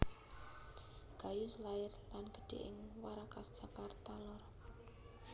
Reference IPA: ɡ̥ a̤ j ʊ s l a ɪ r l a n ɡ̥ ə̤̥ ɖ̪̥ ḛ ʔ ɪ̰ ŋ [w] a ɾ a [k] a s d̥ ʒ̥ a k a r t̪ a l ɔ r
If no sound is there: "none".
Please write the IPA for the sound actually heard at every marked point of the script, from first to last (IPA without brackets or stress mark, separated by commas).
w, k